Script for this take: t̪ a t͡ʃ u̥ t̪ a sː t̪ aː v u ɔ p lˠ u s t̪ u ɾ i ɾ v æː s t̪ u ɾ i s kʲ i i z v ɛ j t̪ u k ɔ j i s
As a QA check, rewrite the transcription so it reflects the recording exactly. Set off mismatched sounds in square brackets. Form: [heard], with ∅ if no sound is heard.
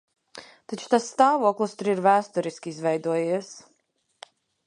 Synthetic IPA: t̪ a t͡ʃ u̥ t̪ a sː t̪ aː v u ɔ [k] lˠ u s t̪ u ɾ i ɾ v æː s t̪ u ɾ i s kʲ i i z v ɛ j [d̪] u [∅] ɔ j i s